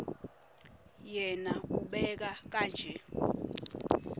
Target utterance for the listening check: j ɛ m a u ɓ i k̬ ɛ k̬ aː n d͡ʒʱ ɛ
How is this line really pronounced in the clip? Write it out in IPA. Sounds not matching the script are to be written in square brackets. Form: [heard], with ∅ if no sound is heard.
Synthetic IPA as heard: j ɛ [n] a u ɓ [ɛ] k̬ [a] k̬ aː n d͡ʒʱ ɛ